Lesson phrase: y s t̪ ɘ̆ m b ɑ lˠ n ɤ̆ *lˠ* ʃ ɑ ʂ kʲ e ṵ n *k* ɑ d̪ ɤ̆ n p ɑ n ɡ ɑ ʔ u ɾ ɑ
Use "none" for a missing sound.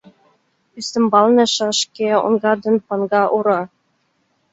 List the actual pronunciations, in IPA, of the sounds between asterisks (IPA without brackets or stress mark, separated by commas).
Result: none, ɡ